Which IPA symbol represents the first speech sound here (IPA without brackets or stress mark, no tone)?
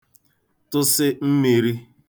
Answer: t